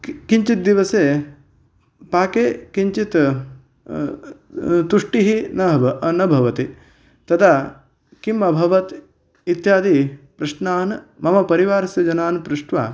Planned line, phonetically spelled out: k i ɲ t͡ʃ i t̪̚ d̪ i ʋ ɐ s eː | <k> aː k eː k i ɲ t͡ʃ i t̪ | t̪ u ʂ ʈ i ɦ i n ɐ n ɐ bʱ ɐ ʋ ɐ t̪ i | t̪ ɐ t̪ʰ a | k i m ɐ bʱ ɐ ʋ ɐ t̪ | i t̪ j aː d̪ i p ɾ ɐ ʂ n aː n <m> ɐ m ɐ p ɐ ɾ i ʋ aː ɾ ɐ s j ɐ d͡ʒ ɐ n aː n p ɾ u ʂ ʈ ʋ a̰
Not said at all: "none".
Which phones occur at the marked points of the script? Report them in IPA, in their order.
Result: p, m

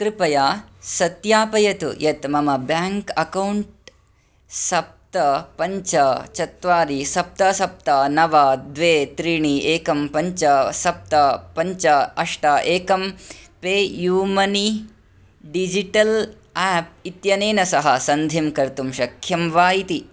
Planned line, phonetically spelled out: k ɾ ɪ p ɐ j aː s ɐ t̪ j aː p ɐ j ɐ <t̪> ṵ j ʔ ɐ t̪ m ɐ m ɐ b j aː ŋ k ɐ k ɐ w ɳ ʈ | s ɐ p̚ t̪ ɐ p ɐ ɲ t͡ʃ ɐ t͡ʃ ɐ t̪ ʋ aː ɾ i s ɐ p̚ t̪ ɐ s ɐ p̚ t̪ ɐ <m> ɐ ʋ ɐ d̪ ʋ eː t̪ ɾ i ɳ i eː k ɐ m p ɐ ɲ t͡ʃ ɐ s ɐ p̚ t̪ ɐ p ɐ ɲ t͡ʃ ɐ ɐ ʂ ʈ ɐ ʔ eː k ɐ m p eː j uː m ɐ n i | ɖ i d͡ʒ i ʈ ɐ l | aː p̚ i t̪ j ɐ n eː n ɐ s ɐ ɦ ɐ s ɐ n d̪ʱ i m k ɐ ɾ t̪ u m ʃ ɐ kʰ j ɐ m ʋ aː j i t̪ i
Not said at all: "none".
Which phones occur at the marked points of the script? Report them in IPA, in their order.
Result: t̪, n

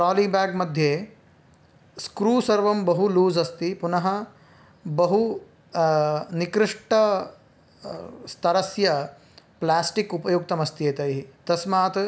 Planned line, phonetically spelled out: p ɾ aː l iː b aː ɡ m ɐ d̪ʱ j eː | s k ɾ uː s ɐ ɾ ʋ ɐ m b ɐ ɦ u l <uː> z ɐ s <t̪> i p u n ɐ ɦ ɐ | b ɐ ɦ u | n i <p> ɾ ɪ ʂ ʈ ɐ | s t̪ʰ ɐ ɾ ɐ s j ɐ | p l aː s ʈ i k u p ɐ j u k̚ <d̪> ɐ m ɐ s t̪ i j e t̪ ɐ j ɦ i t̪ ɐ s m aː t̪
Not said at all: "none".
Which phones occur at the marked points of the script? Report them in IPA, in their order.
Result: uː, t̪, k, t̪

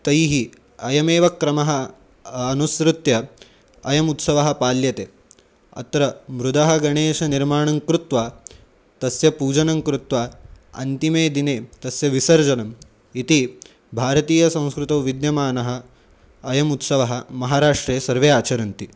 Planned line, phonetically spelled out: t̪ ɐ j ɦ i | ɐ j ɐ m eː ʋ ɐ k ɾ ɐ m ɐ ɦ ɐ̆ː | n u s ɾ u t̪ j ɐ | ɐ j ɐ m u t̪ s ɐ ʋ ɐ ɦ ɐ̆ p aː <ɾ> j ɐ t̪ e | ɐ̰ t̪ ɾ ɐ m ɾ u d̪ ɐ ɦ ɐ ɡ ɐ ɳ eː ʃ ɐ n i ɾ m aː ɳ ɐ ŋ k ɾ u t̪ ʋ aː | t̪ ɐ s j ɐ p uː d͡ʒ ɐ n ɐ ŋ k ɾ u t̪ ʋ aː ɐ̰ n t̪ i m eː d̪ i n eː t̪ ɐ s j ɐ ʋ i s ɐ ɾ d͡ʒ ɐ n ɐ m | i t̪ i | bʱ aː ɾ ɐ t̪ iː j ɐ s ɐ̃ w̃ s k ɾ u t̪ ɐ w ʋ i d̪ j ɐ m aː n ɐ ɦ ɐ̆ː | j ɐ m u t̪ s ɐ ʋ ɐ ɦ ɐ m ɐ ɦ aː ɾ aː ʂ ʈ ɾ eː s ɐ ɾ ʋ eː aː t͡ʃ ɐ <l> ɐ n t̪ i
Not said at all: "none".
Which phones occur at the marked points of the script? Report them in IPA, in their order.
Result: l, ɾ

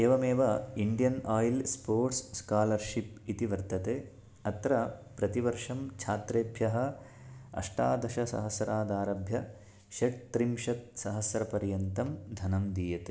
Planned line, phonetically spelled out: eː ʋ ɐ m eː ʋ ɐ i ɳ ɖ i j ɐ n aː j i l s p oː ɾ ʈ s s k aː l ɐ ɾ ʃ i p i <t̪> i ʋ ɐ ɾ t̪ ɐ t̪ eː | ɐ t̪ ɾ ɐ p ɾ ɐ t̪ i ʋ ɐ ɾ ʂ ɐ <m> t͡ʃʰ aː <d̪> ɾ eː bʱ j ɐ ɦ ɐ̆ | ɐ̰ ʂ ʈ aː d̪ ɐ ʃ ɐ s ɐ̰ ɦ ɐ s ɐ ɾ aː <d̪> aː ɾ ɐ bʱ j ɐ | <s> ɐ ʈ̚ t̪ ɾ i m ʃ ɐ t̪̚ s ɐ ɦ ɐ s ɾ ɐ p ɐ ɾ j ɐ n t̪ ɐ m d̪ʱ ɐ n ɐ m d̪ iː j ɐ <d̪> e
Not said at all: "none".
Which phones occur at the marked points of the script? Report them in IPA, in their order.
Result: t̪, m, t̪, d̪, ʃ, t̪

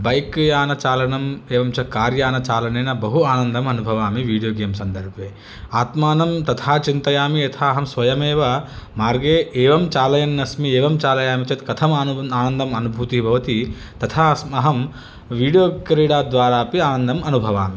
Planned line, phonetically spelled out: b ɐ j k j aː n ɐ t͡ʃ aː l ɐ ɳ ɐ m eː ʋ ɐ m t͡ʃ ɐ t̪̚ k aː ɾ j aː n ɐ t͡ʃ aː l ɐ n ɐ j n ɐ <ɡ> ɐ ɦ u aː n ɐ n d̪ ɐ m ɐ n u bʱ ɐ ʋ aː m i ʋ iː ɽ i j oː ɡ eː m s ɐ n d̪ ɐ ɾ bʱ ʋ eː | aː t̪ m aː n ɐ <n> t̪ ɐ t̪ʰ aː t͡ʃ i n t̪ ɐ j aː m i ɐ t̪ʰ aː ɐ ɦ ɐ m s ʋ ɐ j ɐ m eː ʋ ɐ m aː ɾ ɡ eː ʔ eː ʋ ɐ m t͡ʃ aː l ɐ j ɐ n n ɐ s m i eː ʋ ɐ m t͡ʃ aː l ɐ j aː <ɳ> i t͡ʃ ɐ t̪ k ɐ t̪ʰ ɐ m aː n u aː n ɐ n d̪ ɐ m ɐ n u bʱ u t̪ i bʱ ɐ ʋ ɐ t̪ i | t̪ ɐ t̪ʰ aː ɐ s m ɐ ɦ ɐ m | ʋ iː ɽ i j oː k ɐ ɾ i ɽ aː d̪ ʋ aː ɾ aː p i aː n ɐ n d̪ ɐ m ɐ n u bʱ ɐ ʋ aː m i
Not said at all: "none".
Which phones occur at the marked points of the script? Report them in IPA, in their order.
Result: b, m, m

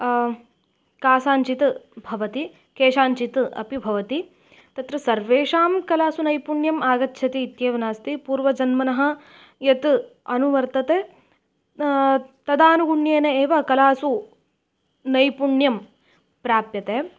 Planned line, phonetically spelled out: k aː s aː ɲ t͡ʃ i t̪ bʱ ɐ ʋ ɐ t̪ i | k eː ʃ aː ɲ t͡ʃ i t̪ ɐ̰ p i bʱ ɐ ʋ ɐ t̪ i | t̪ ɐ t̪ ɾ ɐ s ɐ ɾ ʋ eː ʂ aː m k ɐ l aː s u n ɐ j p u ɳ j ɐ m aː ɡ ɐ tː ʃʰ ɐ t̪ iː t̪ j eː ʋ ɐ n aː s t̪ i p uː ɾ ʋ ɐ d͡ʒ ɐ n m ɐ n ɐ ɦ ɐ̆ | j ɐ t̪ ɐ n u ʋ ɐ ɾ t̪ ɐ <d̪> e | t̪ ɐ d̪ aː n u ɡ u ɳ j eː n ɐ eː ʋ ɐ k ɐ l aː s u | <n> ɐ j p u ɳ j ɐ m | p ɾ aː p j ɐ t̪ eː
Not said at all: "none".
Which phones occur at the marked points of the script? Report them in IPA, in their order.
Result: t̪, n

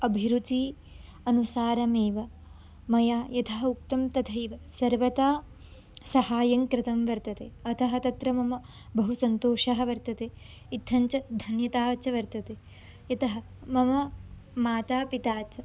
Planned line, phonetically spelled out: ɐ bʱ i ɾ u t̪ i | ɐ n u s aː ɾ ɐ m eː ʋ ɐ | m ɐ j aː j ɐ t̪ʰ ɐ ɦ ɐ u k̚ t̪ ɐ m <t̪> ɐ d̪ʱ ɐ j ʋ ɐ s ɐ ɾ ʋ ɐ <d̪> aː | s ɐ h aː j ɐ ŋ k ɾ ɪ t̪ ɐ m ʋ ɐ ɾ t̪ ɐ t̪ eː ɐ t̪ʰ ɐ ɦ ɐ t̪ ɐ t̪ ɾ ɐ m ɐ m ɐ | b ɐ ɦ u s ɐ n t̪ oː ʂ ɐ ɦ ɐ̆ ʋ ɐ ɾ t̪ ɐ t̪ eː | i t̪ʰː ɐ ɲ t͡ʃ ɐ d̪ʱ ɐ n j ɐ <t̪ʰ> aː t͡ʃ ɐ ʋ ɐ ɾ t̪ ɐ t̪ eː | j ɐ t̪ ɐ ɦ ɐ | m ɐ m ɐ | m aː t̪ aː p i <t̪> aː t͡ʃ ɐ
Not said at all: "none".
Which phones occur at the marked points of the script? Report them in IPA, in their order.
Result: t̪, t̪, t̪, t̪

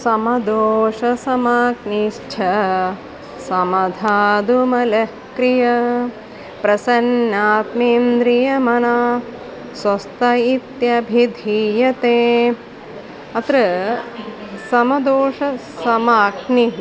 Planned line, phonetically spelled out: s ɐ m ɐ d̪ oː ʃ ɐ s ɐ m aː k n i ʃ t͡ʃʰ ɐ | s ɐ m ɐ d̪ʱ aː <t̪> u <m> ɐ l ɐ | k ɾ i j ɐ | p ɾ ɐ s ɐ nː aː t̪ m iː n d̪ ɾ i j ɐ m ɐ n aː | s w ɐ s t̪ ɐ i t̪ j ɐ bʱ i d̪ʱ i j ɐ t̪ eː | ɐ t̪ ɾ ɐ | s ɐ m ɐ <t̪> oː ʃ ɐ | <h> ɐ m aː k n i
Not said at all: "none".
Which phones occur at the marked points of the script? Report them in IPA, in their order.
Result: d̪, m, d̪, s

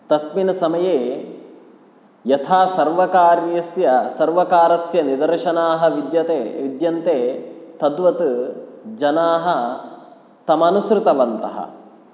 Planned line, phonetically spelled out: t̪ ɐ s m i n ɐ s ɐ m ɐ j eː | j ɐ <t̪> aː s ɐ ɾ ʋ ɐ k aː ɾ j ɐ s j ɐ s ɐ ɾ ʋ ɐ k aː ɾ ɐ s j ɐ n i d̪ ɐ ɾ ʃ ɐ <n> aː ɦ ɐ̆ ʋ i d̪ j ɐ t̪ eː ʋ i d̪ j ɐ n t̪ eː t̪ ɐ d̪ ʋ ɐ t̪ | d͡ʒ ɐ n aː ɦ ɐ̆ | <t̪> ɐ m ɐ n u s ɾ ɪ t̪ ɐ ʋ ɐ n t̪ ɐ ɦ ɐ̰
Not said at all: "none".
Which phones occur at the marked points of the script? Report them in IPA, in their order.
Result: t̪ʰ, n, t̪

